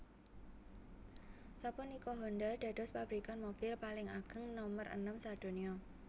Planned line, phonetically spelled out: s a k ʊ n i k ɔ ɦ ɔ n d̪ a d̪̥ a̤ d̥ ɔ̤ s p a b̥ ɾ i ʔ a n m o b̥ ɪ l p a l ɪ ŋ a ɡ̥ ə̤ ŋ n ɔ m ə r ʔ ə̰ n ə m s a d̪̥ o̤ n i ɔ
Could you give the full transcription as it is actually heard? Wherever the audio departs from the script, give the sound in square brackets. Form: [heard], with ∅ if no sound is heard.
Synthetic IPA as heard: s a [p] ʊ n i k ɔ ɦ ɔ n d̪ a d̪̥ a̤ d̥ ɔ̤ s p a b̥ ɾ i [k] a n m o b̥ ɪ l p a l ɪ ŋ a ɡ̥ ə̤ ŋ n ɔ m ə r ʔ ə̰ n ə m s a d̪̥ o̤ n i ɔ

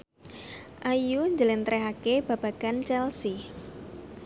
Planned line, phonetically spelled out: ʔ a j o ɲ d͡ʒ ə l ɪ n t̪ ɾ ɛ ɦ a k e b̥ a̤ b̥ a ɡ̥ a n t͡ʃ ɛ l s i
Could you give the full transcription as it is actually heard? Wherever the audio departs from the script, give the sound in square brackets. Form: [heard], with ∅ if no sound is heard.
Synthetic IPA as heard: ʔ a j [u] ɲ d͡ʒ ə l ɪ n t̪ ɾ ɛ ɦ a k e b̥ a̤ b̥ a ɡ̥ a n t͡ʃ ɛ l s i

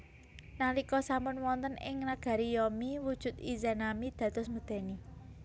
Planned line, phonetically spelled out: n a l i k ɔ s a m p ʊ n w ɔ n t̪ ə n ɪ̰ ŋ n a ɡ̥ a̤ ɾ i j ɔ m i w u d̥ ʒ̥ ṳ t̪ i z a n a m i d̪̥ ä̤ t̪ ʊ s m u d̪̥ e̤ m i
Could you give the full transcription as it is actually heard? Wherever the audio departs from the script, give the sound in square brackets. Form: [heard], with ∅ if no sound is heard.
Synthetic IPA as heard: n a l i k ɔ s a m p ʊ n w ɔ n t̪ ə n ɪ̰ ŋ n a ɡ̥ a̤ ɾ i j ɔ m i w u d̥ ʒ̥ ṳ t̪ i z a n a m i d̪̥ ä̤ t̪ ʊ s m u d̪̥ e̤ [n] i

